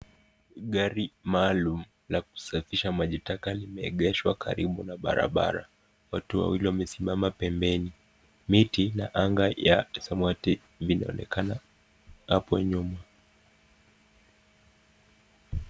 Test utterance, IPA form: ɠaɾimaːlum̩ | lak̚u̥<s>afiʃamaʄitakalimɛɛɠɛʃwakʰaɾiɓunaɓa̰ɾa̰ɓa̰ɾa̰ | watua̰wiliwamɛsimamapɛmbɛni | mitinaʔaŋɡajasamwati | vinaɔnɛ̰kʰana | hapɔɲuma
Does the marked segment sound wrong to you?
no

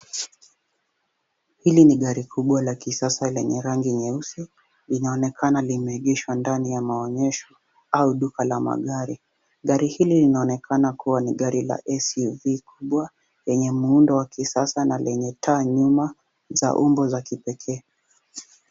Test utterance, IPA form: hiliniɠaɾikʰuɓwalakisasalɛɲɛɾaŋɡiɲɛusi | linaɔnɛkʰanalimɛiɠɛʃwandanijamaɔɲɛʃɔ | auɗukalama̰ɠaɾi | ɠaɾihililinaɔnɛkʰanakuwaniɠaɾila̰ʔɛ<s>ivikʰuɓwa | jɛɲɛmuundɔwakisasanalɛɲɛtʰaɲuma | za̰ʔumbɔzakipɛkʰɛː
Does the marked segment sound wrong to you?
no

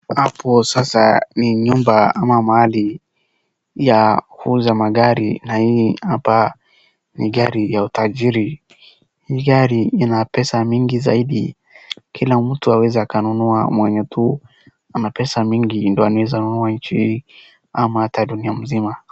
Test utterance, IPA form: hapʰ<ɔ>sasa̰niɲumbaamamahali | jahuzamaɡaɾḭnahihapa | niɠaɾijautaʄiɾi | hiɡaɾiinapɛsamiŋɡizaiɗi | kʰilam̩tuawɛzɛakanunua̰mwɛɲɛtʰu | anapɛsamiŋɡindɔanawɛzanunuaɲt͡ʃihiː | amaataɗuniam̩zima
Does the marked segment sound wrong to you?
no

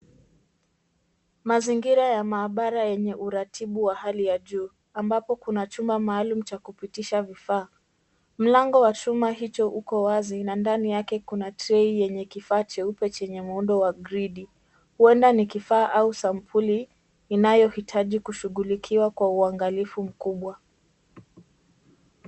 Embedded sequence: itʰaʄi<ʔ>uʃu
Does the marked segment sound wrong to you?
yes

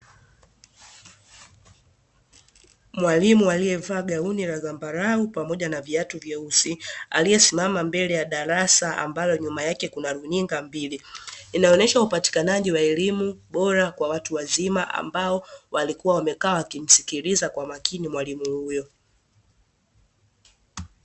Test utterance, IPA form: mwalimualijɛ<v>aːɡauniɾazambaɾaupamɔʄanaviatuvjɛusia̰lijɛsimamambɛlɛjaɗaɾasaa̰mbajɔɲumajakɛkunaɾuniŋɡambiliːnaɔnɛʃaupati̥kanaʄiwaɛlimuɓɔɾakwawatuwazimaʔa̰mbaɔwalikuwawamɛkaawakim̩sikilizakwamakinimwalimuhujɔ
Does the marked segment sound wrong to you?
no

